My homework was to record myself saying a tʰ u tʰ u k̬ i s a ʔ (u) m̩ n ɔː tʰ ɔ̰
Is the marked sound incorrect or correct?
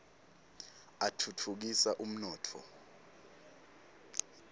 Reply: correct